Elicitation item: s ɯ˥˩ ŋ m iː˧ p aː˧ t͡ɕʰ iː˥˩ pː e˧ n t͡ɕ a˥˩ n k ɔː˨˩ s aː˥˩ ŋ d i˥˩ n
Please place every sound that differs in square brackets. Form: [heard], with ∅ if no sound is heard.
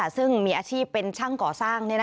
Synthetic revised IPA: s ɯ˥˩ ŋ m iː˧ [ʔ] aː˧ t͡ɕʰ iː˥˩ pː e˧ n [t͡ɕʰ] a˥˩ [ŋ] k ɔː˨˩ s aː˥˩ ŋ [n] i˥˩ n